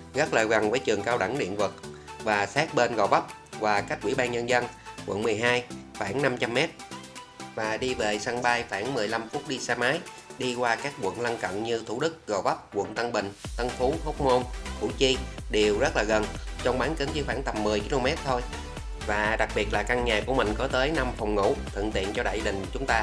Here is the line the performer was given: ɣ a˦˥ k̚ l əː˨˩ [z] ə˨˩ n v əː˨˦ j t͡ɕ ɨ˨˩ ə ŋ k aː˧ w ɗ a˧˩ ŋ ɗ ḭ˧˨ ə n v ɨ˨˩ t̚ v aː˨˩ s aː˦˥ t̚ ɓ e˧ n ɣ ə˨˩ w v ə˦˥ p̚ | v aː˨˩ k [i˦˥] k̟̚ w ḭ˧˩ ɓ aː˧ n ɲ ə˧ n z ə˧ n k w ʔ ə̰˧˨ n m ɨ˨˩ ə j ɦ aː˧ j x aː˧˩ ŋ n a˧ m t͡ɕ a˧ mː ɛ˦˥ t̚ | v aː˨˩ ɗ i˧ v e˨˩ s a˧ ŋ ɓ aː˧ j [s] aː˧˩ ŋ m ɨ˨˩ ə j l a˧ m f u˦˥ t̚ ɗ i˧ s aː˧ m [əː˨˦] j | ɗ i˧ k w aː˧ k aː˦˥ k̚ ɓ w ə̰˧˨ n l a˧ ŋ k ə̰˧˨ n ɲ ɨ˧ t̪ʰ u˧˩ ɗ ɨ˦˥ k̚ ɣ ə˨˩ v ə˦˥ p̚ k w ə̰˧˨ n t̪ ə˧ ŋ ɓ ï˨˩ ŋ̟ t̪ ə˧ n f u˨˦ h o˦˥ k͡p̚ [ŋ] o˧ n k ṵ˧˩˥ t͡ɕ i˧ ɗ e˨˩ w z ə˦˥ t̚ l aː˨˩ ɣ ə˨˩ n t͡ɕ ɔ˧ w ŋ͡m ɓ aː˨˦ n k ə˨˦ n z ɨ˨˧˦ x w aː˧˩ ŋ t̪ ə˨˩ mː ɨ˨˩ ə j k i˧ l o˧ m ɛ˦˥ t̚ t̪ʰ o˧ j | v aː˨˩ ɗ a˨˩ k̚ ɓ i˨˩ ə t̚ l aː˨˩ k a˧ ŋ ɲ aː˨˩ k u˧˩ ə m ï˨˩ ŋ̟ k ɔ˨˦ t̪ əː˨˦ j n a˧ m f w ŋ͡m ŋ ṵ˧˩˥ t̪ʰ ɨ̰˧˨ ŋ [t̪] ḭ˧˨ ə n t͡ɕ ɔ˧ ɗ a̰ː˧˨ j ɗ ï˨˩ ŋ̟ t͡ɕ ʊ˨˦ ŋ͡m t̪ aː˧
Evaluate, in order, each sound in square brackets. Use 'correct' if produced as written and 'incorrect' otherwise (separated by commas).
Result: incorrect, incorrect, incorrect, incorrect, incorrect, correct